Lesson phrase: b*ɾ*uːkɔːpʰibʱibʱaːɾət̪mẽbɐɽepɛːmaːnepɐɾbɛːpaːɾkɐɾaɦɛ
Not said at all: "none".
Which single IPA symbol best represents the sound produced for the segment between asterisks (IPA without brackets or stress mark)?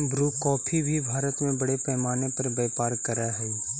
ɾ